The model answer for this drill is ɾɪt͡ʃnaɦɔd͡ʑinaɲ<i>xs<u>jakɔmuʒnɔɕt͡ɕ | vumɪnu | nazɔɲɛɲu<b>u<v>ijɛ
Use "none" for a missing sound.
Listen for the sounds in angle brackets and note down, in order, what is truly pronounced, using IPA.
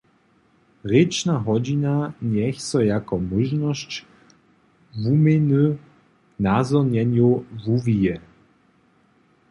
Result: ɛ, ɔ, v, v

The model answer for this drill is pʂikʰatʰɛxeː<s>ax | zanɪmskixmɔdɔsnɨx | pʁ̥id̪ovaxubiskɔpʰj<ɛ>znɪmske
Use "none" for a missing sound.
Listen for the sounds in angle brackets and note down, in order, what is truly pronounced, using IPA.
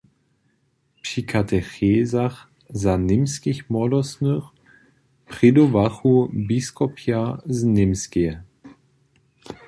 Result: z, a

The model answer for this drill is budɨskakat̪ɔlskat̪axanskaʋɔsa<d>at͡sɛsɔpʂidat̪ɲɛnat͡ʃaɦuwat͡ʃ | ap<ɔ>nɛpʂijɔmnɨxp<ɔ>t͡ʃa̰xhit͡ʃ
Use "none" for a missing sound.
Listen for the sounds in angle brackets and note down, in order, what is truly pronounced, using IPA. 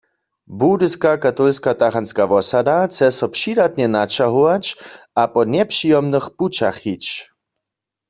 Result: d, ɔ, u

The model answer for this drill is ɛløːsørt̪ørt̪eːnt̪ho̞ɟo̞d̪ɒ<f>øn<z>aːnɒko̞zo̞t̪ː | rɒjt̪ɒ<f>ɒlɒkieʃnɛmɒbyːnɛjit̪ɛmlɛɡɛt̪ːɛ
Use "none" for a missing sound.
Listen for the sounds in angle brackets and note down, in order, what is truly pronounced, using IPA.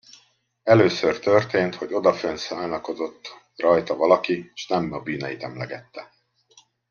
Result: f, s, v

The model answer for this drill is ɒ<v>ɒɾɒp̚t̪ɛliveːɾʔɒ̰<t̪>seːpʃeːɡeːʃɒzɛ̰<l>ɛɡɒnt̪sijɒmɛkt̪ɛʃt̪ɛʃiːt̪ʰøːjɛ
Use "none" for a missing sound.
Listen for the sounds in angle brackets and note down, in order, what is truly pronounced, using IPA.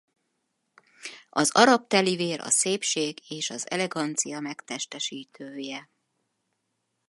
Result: z, none, l

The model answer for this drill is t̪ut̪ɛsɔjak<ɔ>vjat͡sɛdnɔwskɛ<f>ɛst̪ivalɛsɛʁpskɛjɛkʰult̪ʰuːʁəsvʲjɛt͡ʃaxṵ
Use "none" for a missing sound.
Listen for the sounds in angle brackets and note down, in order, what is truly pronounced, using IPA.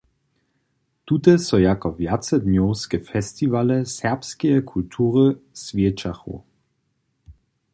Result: ɔ, f

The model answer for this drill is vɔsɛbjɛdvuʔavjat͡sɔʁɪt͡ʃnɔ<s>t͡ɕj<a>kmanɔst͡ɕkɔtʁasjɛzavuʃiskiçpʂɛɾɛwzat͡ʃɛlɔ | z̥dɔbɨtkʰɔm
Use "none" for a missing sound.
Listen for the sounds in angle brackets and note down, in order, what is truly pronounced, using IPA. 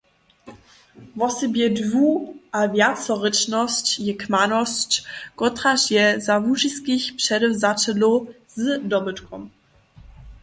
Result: s, ɛ

